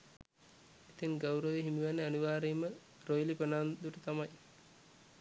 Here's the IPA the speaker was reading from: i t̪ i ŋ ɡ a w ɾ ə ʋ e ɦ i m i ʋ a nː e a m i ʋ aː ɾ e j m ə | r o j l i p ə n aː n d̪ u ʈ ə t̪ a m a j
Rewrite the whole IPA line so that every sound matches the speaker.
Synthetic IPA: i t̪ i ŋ ɡ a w ɾ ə ʋ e ɦ i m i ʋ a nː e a n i ʋ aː ɾ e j m ə | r o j l i p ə n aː n d̪ u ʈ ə t̪ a m a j